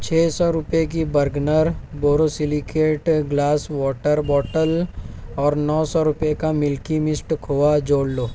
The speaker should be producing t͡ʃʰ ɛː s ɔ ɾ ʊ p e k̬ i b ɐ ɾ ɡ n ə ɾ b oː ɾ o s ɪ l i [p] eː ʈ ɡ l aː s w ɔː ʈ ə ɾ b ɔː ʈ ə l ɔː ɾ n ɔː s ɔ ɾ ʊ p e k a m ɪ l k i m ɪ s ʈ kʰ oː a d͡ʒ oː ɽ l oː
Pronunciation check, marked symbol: incorrect: k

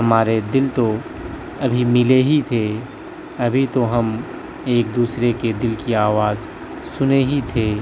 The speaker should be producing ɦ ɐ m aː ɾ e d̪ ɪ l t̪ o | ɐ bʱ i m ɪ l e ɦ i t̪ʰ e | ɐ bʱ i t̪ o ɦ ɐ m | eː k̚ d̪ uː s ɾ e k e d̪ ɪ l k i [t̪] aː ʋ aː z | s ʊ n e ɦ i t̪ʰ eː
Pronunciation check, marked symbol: incorrect: none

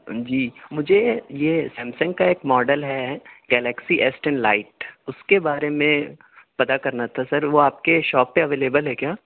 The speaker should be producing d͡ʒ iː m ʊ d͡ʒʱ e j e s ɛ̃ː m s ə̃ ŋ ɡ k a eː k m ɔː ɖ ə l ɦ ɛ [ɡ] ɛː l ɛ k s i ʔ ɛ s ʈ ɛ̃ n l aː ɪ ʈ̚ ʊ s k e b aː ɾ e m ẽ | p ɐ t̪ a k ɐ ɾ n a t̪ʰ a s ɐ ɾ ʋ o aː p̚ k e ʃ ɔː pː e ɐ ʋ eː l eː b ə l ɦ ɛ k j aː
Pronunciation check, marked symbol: correct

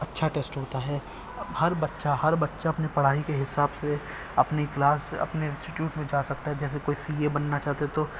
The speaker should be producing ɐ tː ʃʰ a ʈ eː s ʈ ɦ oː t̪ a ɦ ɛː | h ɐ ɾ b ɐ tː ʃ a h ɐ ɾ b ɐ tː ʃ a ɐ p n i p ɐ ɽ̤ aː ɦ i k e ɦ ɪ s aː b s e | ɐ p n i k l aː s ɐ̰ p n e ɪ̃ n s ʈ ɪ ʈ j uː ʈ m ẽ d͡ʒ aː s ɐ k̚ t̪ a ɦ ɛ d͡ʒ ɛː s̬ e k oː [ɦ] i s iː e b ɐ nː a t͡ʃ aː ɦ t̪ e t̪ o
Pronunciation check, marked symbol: incorrect: none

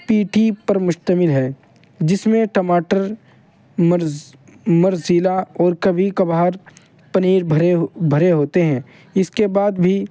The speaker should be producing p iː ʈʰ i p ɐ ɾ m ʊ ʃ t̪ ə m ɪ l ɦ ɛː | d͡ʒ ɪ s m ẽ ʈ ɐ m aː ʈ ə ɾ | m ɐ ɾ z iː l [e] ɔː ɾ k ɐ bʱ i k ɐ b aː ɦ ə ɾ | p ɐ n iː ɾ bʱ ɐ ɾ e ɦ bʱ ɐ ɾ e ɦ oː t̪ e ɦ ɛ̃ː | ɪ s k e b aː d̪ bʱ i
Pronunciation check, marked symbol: incorrect: a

